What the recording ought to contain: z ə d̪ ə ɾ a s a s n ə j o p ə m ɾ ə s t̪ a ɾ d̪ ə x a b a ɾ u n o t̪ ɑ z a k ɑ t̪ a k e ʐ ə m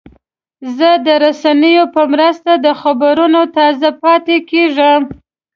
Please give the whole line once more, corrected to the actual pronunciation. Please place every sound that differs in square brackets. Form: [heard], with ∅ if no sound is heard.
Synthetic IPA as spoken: z ə d̪ ə ɾ a s a [∅] n ə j o p ə m ɾ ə s t̪ a [∅] d̪ ə x a b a ɾ u n o t̪ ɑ z a [p] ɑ t̪ [e] k e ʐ ə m